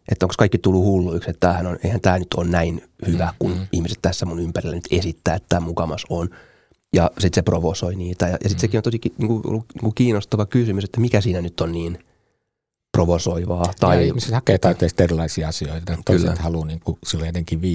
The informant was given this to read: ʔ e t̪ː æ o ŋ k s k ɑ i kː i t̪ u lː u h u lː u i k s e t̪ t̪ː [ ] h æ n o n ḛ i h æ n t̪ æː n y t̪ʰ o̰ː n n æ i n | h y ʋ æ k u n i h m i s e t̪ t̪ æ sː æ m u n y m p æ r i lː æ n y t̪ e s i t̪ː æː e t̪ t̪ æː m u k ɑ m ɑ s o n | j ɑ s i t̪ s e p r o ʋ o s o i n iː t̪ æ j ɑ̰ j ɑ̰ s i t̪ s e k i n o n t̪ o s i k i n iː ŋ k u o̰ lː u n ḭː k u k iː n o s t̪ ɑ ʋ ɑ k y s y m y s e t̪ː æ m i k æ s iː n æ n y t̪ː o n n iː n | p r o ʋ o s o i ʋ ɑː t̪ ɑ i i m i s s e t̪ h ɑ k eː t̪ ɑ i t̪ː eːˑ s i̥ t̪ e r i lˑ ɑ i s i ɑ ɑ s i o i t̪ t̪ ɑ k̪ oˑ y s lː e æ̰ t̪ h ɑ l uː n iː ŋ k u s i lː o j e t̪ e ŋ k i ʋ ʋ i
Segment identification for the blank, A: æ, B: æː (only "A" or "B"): B